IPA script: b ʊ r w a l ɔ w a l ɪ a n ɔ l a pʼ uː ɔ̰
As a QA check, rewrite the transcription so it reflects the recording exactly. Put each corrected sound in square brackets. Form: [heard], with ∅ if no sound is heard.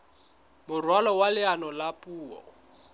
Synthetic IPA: [m] ʊ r w a l ɔ w a l ɪ a n ɔ l a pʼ uː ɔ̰